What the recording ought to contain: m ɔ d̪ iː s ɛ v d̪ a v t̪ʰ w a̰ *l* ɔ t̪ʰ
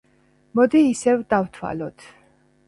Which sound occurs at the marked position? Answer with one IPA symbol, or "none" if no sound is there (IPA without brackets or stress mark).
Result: l